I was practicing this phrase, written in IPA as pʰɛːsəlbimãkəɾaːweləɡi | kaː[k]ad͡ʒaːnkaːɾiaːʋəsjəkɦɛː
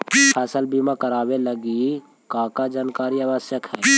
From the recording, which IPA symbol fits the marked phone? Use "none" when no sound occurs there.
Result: k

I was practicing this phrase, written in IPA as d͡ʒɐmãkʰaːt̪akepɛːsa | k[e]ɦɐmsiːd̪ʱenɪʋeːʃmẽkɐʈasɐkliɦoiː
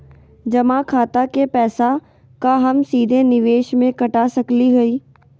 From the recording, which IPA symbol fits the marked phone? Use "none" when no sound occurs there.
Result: a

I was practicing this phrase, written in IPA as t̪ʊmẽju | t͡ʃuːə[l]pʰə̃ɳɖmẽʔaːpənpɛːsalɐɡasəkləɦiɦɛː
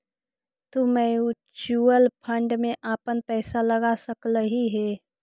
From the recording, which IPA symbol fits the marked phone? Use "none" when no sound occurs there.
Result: l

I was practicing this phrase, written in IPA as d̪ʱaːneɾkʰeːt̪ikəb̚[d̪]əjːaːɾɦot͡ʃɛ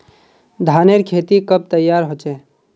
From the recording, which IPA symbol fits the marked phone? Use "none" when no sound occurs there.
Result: t̪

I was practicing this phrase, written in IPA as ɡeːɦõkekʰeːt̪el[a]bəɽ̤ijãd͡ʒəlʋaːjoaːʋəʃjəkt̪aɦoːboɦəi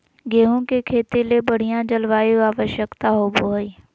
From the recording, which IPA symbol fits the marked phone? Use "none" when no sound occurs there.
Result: e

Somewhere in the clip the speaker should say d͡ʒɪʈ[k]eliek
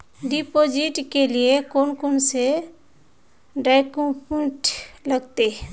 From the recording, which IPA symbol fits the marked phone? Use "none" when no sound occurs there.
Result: k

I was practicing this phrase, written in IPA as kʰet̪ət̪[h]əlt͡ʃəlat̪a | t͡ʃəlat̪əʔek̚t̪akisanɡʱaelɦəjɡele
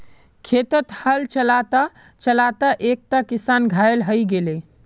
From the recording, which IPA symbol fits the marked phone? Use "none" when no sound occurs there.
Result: h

